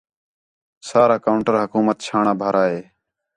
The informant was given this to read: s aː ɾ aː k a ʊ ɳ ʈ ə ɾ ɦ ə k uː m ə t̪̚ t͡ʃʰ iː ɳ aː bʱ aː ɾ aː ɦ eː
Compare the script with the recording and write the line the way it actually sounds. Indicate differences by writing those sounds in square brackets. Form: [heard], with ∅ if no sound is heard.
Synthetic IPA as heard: s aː ɾ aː k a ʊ ɳ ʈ ə ɾ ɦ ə k uː m ə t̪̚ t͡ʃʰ [aː] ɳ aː bʱ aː ɾ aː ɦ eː

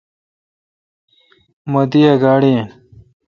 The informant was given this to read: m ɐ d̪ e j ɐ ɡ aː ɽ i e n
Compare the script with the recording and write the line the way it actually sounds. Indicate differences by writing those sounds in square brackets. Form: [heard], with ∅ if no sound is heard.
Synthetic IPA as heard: m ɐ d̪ [i] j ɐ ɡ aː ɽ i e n

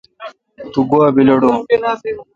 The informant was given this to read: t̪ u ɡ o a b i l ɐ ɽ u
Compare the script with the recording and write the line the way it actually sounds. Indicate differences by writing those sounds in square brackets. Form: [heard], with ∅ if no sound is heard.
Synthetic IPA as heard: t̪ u ɡ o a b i l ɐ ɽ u

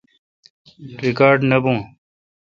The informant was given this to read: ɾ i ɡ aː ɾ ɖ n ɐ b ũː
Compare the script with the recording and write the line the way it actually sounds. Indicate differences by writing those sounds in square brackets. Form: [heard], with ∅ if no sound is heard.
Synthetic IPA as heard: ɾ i [k] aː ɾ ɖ n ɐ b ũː

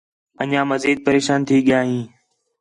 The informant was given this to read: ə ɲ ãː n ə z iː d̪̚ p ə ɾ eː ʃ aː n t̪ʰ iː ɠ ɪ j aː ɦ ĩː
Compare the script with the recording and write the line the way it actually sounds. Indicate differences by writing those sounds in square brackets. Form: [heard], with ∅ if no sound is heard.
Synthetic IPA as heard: ə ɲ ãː [m] ə z iː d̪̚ p ə ɾ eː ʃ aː n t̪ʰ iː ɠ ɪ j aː ɦ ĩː

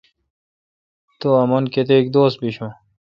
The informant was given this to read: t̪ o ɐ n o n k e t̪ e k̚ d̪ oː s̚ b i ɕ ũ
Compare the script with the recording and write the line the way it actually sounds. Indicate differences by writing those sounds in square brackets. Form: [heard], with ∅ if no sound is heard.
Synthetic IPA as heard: t̪ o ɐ [m] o n k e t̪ e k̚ d̪ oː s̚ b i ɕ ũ

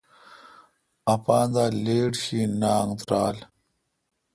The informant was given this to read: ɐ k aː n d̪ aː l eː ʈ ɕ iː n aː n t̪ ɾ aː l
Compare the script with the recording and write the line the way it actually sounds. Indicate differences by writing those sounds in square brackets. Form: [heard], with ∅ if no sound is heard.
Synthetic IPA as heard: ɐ [p] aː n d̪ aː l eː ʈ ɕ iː n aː [ŋ] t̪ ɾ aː l

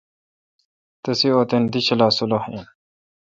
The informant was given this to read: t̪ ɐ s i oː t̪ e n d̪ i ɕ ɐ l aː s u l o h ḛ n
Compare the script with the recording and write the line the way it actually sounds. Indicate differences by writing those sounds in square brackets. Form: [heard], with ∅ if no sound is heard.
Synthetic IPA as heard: t̪ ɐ s i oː t̪ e n d̪ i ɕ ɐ l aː s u l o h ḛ n

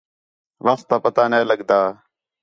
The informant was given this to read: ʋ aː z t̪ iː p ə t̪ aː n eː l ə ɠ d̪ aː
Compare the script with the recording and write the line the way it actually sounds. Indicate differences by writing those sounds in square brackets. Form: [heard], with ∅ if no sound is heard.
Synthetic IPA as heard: ʋ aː [s] t̪ [aː] p ə t̪ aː n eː l ə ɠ d̪ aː

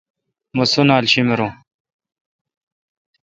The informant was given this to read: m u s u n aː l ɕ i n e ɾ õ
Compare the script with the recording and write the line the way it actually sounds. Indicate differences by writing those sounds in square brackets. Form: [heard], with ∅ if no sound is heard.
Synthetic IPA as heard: m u s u n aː l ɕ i [m] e ɾ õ

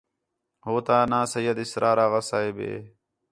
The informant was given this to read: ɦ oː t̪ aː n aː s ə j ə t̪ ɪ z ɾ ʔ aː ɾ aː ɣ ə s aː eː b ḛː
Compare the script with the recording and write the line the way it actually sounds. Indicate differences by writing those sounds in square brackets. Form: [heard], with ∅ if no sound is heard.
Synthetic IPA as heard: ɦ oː t̪ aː n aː s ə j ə [d̪] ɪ [s] ɾ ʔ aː ɾ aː ɣ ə s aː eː b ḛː

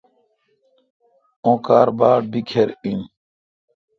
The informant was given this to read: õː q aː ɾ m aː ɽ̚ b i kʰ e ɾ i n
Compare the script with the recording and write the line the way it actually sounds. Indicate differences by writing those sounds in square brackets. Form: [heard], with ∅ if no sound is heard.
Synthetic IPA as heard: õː [k] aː ɾ [b] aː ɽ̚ b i kʰ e ɾ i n

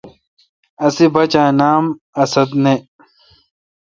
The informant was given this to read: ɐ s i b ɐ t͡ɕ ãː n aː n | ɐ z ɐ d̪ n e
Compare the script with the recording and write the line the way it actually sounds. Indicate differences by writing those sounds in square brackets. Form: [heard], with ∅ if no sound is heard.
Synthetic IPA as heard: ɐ s i b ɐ t͡ɕ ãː n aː [m] | ɐ [s] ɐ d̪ n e

